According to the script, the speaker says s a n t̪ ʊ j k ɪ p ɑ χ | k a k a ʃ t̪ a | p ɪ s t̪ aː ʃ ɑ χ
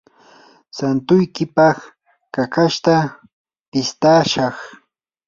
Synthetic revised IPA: s a n t̪ ʊ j k ɪ p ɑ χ | k a k a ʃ t̪ a | p ɪ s t̪ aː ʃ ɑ χ